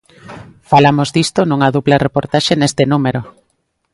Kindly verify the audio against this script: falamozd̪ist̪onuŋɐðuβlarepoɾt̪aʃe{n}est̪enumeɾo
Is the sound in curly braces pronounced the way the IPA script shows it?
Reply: yes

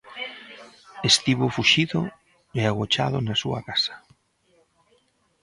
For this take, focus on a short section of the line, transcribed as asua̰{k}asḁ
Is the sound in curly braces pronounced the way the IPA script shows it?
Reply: yes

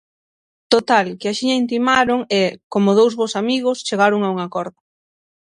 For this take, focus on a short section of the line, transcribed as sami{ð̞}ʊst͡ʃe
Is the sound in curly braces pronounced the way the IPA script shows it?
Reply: no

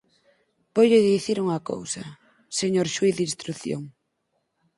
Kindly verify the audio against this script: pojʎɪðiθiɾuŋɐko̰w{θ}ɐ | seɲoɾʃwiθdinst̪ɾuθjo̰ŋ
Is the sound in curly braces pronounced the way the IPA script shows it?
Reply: no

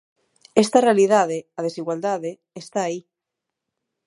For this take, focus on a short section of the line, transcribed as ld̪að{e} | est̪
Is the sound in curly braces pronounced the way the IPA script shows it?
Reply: yes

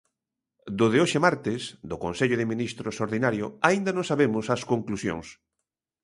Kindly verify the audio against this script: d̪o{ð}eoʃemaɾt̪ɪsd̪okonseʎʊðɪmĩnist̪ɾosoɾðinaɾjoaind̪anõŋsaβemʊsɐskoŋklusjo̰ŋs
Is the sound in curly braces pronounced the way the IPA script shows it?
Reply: yes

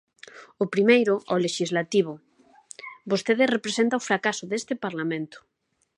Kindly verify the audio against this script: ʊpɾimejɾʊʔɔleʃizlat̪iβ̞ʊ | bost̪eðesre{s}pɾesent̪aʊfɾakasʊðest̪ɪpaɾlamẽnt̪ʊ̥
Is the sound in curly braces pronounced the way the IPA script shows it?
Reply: no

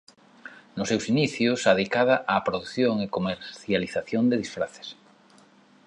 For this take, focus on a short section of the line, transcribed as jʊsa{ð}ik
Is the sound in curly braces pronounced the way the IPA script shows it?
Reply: yes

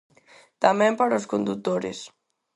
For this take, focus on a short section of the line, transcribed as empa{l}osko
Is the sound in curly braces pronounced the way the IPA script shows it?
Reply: no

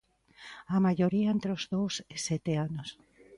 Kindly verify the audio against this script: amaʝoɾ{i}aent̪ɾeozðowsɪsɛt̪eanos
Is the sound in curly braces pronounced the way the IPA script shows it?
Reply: yes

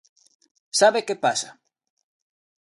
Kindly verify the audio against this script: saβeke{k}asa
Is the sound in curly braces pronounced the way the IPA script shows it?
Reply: no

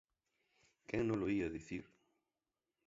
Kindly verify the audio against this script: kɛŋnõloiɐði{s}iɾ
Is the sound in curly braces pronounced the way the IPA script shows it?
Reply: no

